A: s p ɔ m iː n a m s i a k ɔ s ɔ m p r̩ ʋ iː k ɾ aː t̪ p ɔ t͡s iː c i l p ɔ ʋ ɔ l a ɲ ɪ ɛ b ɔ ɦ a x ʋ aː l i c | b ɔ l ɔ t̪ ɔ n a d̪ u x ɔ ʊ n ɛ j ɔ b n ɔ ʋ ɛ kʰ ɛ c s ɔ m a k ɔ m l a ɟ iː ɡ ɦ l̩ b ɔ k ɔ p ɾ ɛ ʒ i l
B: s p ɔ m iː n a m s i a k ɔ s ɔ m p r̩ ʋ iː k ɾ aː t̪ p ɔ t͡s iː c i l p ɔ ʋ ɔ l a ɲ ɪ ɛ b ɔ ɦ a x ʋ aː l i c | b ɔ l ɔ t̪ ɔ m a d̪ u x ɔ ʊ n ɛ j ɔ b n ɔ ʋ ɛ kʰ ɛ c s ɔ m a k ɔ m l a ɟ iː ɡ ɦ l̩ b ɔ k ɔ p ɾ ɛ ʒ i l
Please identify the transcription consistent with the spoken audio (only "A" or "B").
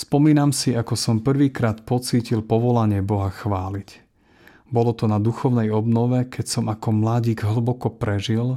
A